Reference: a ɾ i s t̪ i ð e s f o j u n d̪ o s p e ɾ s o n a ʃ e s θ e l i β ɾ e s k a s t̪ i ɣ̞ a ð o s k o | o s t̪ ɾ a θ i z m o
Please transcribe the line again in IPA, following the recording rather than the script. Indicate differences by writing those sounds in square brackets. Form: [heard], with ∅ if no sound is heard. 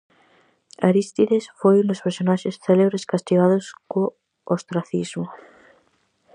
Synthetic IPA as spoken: a ɾ i s t̪ i ð e s f o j u n d̪ o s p e ɾ s o n a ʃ e s θ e l [e] β ɾ e s k a s t̪ i ɣ̞ a ð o s k o | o s t̪ ɾ a θ i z m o